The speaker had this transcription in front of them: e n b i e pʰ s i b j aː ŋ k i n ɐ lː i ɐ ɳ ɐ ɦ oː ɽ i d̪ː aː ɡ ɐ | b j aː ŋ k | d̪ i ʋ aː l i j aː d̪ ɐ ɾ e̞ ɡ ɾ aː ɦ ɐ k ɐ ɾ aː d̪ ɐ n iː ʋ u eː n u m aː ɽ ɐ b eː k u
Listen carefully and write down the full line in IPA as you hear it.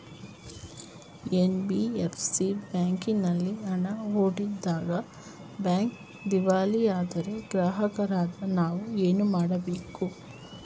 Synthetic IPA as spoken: e n b i e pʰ s i b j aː ŋ k i n ɐ lː i ɐ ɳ ɐ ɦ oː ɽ i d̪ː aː ɡ ɐ | b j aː ŋ k | d̪ i ʋ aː l i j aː d̪ ɐ ɾ e̞ ɡ ɾ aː ɦ ɐ k ɐ ɾ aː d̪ ɐ n aː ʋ u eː n u m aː ɽ ɐ b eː k u